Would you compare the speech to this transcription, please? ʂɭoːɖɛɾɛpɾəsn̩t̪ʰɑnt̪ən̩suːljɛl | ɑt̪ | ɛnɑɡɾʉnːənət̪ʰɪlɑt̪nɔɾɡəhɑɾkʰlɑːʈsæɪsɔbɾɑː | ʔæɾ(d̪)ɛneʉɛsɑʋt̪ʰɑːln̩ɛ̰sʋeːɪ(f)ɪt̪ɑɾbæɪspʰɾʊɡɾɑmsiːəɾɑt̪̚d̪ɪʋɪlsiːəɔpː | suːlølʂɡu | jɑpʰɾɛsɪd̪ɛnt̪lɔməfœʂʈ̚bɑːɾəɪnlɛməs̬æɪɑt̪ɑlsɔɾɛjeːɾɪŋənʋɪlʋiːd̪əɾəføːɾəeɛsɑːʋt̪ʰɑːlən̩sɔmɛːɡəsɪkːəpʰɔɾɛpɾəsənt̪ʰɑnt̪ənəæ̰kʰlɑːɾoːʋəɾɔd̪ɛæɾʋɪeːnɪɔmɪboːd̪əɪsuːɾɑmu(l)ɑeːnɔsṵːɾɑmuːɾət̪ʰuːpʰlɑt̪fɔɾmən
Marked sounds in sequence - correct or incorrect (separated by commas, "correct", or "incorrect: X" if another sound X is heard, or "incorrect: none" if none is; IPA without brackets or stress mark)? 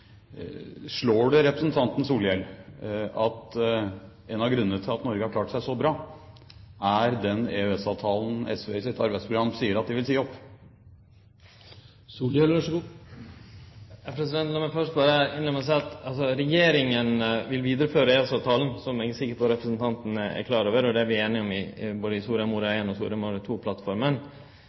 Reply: correct, incorrect: s, incorrect: ɾ